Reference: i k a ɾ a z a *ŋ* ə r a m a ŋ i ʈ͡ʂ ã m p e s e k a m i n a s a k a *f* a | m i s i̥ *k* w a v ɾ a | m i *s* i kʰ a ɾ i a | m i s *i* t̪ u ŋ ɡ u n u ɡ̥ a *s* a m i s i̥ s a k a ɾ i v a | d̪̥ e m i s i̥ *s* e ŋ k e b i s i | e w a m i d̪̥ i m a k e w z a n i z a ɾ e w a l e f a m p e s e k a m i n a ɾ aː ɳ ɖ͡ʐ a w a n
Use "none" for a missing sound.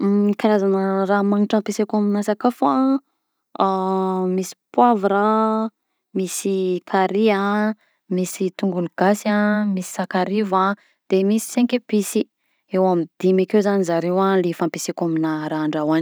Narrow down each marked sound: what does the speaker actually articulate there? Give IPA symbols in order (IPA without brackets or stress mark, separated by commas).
n, f, p, s, i, s, s